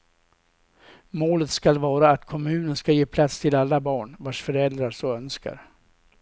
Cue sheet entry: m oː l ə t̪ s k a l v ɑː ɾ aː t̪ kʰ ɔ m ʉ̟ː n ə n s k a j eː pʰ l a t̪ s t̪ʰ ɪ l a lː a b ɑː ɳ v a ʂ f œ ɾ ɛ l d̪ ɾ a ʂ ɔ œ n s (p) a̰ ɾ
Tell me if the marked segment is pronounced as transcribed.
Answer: no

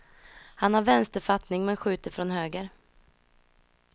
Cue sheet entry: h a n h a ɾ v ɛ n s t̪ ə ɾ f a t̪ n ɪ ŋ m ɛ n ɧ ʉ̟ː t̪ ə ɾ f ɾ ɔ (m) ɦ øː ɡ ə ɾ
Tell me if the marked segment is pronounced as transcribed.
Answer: no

